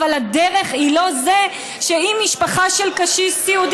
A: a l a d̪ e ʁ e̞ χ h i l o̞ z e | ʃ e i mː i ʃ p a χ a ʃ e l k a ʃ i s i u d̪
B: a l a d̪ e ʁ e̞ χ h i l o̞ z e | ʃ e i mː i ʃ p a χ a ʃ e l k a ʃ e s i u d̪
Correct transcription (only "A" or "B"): A